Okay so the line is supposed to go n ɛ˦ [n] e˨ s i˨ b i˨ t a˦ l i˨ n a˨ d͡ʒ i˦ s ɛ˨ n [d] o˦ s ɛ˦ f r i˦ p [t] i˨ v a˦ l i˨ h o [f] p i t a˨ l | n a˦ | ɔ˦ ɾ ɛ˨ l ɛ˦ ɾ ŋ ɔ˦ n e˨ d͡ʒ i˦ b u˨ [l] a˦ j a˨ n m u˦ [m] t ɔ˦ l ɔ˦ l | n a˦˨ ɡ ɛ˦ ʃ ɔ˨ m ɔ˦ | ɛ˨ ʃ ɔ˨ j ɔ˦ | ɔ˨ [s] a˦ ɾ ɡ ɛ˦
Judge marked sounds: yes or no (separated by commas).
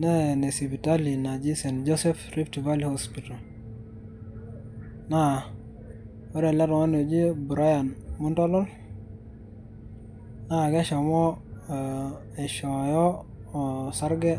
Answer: yes, no, yes, no, no, no, yes